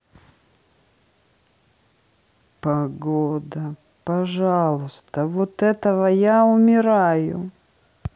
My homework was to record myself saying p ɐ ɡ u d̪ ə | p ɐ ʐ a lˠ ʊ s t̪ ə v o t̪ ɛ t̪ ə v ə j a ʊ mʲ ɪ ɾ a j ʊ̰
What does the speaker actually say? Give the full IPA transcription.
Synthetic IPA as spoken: p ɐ ɡ o d̪ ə | p ɐ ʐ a lˠ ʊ s t̪ ə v o t̪ ɛ t̪ ə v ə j a ʊ mʲ ɪ ɾ a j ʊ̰